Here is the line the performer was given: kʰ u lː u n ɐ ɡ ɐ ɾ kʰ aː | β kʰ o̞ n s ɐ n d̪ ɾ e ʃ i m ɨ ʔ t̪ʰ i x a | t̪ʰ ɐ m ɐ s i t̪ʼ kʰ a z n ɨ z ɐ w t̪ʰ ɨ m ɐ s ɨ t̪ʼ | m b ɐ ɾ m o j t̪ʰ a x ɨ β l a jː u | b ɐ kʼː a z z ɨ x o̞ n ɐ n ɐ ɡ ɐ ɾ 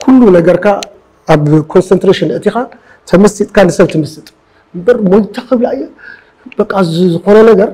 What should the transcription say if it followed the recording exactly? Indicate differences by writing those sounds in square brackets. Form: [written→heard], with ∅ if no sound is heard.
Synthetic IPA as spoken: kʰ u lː u n ɐ ɡ ɐ ɾ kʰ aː | β kʰ o̞ n s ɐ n [d̪→t̪] ɾ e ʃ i [m→n] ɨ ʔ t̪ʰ i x a | t̪ʰ ɐ m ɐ s i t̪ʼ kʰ a [z→∅] n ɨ [z→s] ɐ [w→β] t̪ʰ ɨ m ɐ s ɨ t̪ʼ | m b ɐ ɾ m o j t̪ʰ a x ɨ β l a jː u | b ɐ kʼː a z z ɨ x o̞ n ɐ n ɐ ɡ ɐ ɾ